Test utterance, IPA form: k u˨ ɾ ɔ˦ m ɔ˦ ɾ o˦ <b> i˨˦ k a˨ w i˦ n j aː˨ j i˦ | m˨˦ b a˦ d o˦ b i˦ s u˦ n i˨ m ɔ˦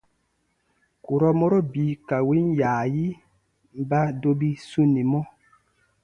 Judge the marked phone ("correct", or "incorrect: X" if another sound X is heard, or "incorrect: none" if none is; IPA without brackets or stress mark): correct